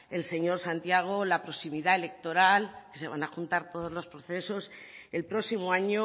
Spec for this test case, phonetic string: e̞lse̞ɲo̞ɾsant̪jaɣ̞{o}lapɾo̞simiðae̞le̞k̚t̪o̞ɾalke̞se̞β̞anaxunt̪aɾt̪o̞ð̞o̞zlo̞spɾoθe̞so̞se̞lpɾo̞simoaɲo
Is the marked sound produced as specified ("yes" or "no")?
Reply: yes